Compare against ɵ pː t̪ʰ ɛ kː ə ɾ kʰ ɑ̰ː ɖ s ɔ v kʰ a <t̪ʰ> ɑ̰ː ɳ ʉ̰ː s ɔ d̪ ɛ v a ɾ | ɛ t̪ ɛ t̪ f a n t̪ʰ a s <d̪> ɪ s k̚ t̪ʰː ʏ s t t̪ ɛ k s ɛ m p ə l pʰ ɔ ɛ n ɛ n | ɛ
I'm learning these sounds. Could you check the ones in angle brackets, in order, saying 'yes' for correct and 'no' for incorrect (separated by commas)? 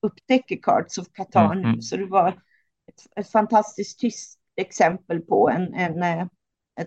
yes, no